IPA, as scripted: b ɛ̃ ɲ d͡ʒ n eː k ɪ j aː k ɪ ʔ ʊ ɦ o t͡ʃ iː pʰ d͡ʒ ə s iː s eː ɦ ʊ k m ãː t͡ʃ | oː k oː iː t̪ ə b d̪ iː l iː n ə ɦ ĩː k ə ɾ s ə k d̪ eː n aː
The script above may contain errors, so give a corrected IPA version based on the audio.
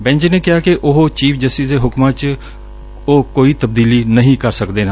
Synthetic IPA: b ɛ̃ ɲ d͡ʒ n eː k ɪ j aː k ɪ ʔ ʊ ɦ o t͡ʃ iː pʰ d͡ʒ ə s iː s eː ɦ ʊ k m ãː t͡ʃ | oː k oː iː t̪ ə b d̪ iː l iː n ə ɦ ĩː k ə ɾ s ə k d̪ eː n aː

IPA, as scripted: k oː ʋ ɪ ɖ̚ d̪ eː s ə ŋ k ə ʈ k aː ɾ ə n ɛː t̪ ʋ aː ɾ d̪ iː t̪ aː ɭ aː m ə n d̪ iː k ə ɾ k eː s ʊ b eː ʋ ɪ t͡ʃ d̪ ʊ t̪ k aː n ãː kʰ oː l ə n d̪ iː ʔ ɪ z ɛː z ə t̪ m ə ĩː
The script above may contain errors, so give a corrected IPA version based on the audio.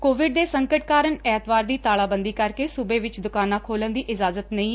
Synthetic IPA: k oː ʋ ɪ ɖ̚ d̪ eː s ə ŋ k ə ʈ k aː ɾ ə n ɛː t̪ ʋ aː ɾ d̪ iː t̪ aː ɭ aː b ə n d̪ iː k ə ɾ k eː s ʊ b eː ʋ ɪ t͡ʃ d̪ ʊ k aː n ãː kʰ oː l ə n d̪ iː ʔ ɪ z aː z ə t̪ n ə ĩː

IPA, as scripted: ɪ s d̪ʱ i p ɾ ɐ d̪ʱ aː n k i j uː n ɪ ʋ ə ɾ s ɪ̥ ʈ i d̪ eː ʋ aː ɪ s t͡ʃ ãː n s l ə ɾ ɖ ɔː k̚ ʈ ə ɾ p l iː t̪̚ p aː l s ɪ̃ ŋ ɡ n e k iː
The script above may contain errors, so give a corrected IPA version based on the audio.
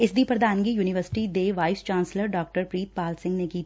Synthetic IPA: ɪ s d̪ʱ i p ɾ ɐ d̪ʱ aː n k i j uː n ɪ ʋ ə ɾ s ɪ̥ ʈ i d̪ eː ʋ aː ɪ s t͡ʃ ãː n s l ə ɾ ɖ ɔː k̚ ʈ ə ɾ p ɾ iː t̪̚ p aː l s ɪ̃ ŋ ɡ n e k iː

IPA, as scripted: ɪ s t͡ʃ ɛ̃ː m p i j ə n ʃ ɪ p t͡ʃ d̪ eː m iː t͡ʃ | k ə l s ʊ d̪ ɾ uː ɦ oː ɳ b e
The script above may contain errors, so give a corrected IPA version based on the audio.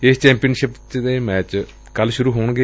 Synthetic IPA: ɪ s t͡ʃ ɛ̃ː m p i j ə n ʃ ɪ p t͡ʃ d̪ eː m ɛː t͡ʃ | k ə l ʃ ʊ ɾ uː ɦ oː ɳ ɡ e

